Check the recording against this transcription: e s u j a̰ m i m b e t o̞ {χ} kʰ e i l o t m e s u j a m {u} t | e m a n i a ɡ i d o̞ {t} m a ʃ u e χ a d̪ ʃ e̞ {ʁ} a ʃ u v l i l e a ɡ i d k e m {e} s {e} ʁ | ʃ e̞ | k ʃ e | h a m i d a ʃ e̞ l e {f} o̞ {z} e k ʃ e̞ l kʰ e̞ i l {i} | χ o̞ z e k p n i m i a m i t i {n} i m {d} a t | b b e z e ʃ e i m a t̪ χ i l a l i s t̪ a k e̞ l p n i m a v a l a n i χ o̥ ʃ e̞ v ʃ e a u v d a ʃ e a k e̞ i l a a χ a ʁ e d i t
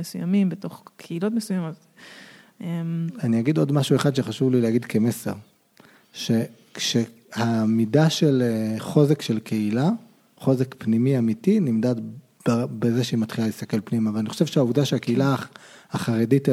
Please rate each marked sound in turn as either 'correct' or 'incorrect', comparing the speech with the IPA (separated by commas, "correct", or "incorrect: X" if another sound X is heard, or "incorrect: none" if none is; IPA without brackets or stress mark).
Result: correct, incorrect: o, incorrect: d, incorrect: χ, correct, correct, incorrect: χ, correct, incorrect: a, correct, correct